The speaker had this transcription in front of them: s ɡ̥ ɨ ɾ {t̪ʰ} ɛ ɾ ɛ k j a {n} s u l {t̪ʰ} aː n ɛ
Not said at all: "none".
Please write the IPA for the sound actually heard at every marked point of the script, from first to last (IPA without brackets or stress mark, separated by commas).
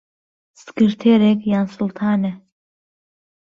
t̪ʰ, n, t̪ʰ